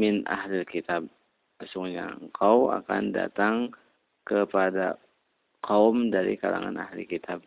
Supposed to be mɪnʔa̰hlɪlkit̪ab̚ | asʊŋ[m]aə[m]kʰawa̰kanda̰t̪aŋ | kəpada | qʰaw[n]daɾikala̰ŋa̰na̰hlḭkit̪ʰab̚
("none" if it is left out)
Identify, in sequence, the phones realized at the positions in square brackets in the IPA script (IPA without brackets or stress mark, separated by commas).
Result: ɲ, ŋ, m